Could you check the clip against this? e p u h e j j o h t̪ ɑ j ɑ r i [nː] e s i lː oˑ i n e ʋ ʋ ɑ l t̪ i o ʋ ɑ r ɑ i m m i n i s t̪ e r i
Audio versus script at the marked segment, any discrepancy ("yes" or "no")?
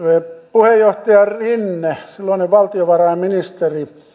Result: no